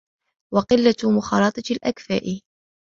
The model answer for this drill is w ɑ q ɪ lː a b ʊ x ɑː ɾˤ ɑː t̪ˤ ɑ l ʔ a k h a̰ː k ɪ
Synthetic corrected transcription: w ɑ q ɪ lː a m ʊ x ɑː ɾˤ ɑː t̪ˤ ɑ l ʔ a k f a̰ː ʔ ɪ